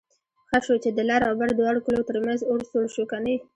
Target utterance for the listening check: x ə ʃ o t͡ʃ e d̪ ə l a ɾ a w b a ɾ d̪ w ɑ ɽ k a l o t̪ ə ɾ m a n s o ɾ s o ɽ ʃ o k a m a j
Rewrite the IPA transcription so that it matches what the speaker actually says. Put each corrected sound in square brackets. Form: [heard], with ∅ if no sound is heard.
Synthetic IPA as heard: x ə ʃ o t͡ʃ e d̪ ə l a ɾ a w b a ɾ d̪ w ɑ ɽ k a l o t̪ ə ɾ m a n [z] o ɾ s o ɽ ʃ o k a [n] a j